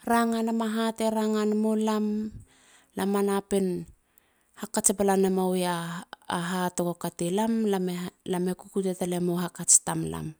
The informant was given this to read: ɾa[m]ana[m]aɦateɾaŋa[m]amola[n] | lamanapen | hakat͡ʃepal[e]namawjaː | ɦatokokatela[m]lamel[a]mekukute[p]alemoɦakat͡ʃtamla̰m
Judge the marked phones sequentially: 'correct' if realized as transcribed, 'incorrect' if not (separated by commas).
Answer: incorrect, correct, incorrect, incorrect, incorrect, correct, correct, incorrect